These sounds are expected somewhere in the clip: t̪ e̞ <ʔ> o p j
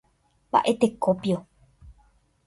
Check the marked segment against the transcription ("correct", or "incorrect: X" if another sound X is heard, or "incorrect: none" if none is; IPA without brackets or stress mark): incorrect: k